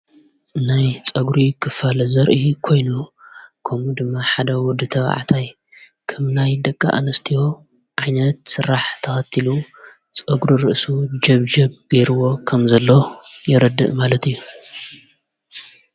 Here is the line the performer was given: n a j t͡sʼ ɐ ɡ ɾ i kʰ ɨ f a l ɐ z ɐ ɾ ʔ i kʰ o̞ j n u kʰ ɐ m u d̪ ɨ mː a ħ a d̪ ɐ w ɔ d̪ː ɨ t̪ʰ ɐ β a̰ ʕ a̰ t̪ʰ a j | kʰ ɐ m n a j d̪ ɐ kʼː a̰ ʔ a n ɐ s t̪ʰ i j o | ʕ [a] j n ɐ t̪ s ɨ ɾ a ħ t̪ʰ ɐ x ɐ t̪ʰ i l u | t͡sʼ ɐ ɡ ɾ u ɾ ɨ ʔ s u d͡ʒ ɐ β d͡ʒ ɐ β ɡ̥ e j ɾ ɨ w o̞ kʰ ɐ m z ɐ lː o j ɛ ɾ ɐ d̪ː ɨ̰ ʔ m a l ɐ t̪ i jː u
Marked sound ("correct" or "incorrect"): correct